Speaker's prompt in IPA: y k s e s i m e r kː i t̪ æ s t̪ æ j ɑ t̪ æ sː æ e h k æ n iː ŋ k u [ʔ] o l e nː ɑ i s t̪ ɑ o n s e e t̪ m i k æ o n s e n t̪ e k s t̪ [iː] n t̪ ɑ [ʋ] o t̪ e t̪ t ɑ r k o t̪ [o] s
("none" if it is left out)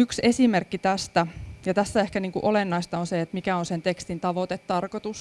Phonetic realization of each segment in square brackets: ʔ, i, ʋ, u

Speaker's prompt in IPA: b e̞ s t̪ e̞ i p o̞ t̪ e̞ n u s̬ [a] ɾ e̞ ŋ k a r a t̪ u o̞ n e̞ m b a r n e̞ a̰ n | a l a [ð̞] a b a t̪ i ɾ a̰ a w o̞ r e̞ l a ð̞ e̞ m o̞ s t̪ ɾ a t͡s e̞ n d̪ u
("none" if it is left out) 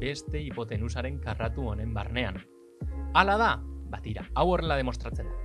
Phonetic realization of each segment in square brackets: a, ð̞

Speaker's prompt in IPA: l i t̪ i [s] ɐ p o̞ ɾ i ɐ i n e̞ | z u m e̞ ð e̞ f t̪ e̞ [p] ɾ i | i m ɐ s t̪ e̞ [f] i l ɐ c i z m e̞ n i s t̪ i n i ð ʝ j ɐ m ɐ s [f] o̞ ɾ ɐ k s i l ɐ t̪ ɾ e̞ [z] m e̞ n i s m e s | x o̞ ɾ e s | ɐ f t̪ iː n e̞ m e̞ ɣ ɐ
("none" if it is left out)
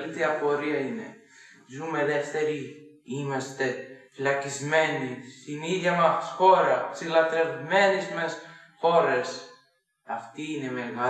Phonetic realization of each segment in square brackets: none, none, f, x, v

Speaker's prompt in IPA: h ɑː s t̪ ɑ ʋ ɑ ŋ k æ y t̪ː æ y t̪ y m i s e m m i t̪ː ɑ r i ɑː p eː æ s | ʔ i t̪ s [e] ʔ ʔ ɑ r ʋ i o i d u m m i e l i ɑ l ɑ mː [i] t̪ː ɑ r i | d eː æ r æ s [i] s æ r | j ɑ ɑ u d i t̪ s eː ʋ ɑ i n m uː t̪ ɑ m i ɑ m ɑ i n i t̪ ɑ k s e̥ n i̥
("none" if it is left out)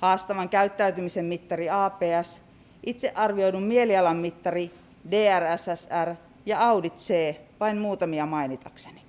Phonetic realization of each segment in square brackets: e, i, æ

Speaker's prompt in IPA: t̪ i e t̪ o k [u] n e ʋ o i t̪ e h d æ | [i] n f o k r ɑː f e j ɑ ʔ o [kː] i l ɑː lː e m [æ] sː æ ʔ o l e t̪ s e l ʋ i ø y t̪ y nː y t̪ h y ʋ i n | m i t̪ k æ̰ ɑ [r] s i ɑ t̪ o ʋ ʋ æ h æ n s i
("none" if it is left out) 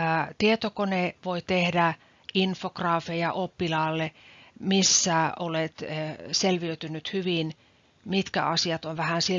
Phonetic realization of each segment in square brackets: o, i, pː, i, none

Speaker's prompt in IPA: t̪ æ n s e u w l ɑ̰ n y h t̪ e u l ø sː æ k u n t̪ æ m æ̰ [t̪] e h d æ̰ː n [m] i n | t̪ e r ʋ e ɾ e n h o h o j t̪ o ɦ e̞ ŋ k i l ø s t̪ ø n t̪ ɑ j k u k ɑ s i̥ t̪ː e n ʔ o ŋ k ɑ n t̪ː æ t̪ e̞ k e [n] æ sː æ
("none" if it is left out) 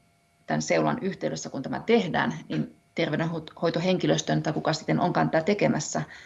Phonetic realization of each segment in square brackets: t̪, n, m

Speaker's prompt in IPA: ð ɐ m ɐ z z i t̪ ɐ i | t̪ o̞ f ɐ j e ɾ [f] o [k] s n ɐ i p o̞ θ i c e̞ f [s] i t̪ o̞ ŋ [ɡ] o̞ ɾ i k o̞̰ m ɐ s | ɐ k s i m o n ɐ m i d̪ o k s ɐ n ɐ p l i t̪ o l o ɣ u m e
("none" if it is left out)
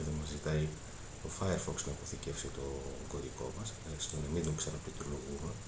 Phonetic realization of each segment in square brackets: f, k, s, ɡ

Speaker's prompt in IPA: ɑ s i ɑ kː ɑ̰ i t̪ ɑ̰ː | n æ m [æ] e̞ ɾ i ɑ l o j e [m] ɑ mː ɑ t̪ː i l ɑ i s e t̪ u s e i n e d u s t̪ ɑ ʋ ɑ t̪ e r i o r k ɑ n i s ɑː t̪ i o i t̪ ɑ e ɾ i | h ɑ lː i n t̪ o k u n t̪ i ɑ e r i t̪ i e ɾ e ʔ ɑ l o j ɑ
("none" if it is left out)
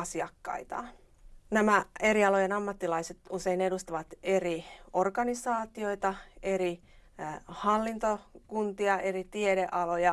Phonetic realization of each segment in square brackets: æ, n

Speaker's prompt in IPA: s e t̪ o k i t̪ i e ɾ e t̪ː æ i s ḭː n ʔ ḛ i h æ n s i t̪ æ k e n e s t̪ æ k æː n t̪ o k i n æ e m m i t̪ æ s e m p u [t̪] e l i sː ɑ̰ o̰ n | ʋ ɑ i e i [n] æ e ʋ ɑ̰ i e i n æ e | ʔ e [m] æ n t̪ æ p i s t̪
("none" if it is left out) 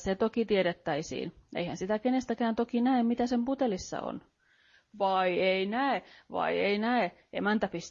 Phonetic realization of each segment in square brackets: t̪, n, m

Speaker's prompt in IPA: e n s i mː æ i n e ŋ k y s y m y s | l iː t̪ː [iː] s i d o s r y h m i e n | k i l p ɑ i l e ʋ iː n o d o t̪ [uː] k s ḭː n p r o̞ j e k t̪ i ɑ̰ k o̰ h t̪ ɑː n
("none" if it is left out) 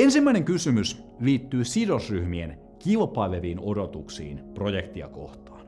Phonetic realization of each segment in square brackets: yː, u

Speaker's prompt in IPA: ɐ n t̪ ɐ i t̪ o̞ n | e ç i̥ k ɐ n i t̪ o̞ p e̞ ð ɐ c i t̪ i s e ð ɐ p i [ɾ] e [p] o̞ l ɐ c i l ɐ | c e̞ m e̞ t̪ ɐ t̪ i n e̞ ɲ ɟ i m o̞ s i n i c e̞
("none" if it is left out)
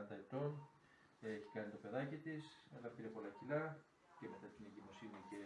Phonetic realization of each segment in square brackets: ɾ, p

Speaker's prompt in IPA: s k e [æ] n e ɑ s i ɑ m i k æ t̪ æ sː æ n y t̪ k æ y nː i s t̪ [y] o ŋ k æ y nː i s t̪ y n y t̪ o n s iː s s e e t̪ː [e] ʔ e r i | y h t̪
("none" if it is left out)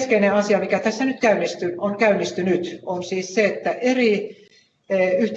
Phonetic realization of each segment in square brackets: i, y, æ

